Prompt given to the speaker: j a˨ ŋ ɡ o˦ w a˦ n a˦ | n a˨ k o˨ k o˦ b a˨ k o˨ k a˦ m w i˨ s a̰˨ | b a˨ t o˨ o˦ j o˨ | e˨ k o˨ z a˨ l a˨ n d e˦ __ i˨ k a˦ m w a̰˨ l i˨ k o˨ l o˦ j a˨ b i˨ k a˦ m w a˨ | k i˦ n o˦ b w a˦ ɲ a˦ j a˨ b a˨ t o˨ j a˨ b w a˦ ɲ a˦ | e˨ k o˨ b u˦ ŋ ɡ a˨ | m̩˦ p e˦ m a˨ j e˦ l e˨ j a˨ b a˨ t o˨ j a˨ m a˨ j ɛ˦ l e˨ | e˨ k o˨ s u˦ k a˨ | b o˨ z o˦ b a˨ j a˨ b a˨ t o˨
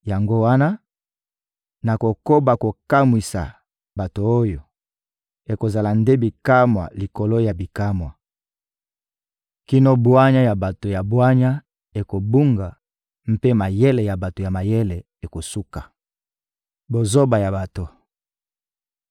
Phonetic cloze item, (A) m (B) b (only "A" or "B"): B